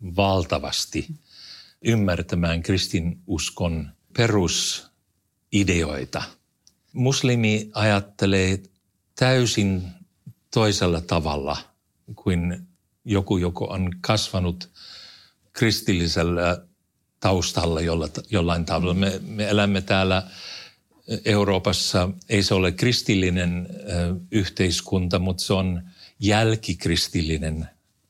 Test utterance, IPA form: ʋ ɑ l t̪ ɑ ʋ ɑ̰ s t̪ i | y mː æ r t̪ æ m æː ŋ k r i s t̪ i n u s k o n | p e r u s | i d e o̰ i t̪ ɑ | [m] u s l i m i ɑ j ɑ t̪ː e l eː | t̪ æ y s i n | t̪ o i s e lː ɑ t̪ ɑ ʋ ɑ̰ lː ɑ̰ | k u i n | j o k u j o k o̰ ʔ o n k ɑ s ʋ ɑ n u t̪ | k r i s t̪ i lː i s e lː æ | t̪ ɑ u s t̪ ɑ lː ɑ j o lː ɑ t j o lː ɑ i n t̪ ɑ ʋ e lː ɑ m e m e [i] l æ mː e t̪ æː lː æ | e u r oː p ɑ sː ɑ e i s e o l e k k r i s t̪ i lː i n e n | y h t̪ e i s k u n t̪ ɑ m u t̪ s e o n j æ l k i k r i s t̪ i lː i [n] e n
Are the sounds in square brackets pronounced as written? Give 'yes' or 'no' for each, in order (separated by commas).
yes, no, yes